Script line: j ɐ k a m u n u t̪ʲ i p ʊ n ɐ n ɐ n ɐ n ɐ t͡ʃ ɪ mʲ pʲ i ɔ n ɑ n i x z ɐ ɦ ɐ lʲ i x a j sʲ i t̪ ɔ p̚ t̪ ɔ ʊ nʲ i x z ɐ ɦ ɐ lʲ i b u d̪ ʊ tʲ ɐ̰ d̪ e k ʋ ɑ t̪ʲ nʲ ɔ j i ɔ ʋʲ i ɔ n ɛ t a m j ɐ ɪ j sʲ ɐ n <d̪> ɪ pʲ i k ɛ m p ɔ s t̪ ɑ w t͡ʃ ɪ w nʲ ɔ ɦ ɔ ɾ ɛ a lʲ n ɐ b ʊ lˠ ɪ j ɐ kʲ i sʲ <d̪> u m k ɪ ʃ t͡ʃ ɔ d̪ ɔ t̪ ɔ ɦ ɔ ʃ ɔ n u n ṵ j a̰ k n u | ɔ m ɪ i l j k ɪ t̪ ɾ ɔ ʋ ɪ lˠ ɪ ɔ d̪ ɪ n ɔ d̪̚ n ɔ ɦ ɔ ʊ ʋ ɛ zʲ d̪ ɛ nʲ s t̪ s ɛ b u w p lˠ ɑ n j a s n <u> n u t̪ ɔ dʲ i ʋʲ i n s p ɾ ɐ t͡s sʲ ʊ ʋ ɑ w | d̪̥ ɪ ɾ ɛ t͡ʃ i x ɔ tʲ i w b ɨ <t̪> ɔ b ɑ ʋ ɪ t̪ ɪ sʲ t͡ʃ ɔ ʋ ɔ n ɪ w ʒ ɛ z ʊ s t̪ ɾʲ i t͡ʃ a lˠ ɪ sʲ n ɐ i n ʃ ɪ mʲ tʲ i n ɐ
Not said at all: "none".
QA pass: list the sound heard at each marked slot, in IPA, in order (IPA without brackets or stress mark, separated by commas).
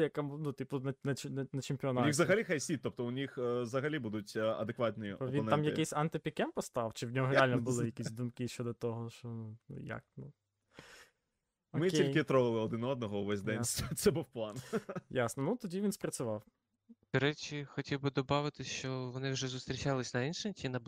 t̪, d̪, ɔ, d̪